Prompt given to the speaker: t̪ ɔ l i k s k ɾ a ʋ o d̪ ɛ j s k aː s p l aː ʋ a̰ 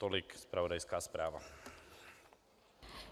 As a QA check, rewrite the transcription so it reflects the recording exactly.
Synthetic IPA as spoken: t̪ ɔ l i k s p ɾ a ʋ ɔ d̪ a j s k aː s p ɾ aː ʋ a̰